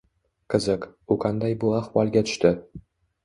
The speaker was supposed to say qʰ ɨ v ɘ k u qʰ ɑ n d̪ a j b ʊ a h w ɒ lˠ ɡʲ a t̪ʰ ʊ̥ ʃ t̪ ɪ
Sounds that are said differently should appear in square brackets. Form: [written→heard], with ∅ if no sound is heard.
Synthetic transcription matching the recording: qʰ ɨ [v→z] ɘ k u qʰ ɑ n d̪ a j b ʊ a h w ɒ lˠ ɡʲ a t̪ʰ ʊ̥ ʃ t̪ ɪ